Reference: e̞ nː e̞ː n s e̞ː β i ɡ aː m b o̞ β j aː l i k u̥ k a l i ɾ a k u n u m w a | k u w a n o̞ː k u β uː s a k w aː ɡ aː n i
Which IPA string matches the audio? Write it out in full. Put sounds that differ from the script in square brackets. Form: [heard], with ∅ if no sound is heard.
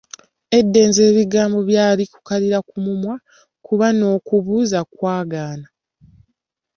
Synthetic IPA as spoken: e̞ [dː] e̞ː n [z] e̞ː β i ɡ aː m b o̞ β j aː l i k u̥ k a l i ɾ a k u [m] u m w a | k u [β] a n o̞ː k u β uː [z] a k w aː ɡ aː n [a]